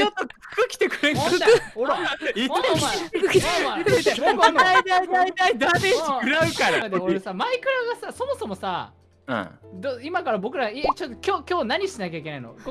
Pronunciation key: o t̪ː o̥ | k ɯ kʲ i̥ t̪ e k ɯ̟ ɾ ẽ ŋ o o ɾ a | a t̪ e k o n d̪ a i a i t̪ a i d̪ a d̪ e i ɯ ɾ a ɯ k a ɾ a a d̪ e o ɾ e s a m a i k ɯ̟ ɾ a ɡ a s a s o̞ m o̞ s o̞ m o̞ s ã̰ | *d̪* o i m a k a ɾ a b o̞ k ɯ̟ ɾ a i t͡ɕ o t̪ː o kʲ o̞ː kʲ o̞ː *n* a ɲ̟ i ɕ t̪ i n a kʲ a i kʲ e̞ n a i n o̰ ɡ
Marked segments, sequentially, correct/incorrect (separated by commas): correct, correct